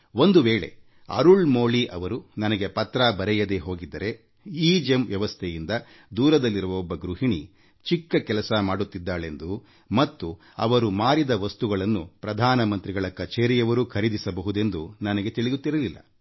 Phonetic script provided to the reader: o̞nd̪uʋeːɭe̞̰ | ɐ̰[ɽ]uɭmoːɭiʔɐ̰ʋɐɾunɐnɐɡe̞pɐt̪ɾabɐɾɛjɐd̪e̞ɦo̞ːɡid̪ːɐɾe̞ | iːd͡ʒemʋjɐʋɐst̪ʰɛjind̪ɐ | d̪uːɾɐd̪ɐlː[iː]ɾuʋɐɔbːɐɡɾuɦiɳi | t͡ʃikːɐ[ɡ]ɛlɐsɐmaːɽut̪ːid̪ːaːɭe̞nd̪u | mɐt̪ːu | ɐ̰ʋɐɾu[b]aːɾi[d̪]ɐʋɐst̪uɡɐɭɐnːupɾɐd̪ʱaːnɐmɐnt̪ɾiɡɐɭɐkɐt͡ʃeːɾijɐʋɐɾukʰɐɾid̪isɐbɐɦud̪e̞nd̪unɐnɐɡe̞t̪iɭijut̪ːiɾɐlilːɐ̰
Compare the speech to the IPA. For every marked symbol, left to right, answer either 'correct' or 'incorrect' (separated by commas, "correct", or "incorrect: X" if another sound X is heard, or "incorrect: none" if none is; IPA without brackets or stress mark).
incorrect: ɾ, incorrect: i, incorrect: k, incorrect: m, correct